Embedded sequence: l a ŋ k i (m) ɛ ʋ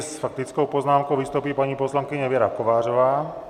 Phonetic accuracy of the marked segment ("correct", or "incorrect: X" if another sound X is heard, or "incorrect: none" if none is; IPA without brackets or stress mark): incorrect: ɲ